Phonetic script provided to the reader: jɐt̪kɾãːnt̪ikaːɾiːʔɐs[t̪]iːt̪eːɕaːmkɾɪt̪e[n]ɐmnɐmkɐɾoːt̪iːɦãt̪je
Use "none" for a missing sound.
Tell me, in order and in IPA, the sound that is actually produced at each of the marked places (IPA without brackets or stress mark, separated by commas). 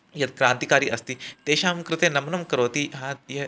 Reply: t̪, n